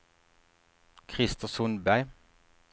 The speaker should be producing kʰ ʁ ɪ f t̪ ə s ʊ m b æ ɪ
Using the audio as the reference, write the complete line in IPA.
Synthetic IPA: kʰ ʁ ɪ s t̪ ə s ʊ n b æ ɪ

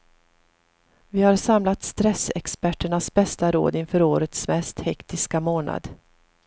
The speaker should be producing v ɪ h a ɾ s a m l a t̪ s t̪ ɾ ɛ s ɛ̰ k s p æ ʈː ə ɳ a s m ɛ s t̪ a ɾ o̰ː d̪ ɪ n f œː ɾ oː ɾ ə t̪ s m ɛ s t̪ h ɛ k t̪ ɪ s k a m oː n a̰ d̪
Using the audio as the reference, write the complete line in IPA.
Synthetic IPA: v ɪ h a ɾ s a m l a t̪ s t̪ ɾ ɛ s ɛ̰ k s p æ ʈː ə ɳ a s b ɛ s t̪ a ɾ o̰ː d̪ ɪ n f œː ɾ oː ɾ ə t̪ s m ɛ s t̪ h ɛ k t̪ ɪ s k a m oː n a̰ d̪

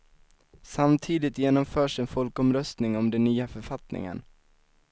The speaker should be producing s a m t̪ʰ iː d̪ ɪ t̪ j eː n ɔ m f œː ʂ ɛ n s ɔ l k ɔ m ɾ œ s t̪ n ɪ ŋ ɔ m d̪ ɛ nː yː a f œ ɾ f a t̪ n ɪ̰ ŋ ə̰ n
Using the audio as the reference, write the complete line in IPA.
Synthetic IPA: s a m t̪ʰ iː d̪ ɪ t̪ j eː n ɔ m f œː ʂ ɛ n f ɔ l k ɔ m ɾ œ s t̪ n ɪ ŋ ɔ m d̪ ɛ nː yː a f œ ɾ f a t̪ n ɪ̰ ŋ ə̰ n

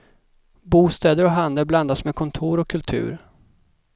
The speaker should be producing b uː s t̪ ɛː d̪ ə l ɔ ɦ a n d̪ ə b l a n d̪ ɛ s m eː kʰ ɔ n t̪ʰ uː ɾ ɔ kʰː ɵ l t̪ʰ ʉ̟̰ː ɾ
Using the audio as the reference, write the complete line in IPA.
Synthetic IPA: b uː s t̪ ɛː d̪ ə ɾ ɔ ɦ a n d̪ ə b l a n d̪ a s m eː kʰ ɔ n t̪ʰ uː ɾ ɔ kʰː ɵ l t̪ʰ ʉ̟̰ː ɾ

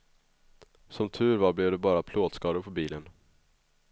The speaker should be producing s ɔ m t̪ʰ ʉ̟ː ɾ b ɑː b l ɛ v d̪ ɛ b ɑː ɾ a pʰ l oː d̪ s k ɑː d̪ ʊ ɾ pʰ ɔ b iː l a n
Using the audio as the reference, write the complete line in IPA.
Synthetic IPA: s ɔ m t̪ʰ ʉ̟ː ɾ v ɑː b l ɛ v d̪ ɛ b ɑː ɾ a pʰ l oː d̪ s k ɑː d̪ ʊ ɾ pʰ ɔ b iː l ə n

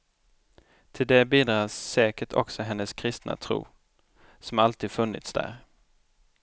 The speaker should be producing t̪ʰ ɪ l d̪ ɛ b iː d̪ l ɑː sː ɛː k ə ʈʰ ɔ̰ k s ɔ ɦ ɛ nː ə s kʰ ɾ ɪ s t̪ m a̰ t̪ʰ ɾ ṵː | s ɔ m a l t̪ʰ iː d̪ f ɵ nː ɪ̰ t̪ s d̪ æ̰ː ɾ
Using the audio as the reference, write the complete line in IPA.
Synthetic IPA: t̪ʰ ɪ l d̪ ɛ b iː d̪ ɾ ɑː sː ɛː k ə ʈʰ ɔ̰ k s ɔ ɦ ɛ nː ə s kʰ ɾ ɪ s t̪ n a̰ t̪ʰ ɾ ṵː | s ɔ m a l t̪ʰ iː d̪ f ɵ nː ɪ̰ t̪ s d̪ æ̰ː ɾ

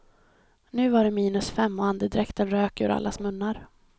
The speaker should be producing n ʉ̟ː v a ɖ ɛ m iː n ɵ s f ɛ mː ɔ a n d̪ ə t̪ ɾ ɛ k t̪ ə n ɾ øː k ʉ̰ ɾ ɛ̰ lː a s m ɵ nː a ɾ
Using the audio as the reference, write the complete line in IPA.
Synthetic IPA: n ʉ̟ː v a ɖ ɛ m iː n ɵ s f ɛ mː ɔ a n d̪ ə d̪ ɾ ɛ k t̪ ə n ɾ øː k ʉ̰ ɾ a̰ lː a s m ɵ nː a ɾ

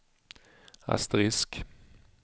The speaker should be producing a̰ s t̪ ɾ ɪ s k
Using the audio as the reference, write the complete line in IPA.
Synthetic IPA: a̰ s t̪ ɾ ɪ s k

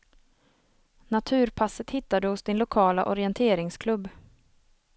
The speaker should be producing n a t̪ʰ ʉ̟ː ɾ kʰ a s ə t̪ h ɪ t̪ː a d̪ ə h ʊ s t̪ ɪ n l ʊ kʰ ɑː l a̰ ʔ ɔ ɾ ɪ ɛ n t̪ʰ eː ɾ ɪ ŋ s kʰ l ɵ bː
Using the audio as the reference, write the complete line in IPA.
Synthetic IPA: n a t̪ʰ ʉ̟ː ɾ pʰ a s ə t̪ h ɪ t̪ː a d̪ ə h ʊ s d̪ ɪ n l ʊ kʰ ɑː l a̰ ʔ ɔ ɾ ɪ ɛ n t̪ʰ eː ɾ ɪ ŋ s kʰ l ɵ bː

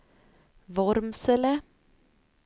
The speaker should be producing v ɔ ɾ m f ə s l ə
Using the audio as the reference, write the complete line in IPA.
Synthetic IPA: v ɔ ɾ m s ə l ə

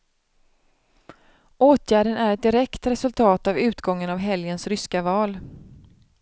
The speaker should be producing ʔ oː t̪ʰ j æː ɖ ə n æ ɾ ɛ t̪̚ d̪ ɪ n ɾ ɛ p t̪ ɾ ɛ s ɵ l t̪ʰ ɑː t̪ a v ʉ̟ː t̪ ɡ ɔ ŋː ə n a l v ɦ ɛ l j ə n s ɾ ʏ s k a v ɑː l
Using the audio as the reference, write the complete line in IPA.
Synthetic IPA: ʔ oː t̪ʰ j æː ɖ ə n æ ɾ ɛ t̪̚ d̪ ɪ ɾ ɛ k t̪ ɾ ɛ s ɵ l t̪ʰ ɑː t̪ a v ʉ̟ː t̪ ɡ ɔ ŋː ə n a v ɦ ɛ l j ə n s ɾ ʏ s k a v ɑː l

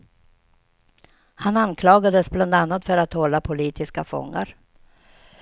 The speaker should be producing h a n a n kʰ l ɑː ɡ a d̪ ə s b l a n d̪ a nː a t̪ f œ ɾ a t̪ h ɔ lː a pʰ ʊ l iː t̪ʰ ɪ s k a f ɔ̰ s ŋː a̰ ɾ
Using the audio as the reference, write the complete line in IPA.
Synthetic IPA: h a n a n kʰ l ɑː ɡ a d̪ ə s b l a n d̪ a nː a t̪ f œ ɾ a t̪ h ɔ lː a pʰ ʊ l iː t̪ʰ ɪ s k a f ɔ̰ ŋː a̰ ɾ

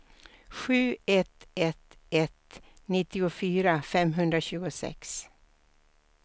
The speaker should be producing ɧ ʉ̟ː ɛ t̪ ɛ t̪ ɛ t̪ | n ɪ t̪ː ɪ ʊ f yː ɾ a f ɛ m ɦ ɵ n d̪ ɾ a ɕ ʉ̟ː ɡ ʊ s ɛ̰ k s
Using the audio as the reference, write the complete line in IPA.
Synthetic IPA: ɧ ʉ̟ː ɛ t̪ ɛ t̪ ɛ t̪ | n ɪ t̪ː ɪ ʊ f yː ɾ a f ɛ m ɦ ɵ n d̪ ɾ a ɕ ʉ̟ː ɡ ʊ s ɛ̰ k s

